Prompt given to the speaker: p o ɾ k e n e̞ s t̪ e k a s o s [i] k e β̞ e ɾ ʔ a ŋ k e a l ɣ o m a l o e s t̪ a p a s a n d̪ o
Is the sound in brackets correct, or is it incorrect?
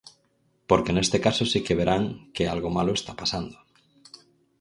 correct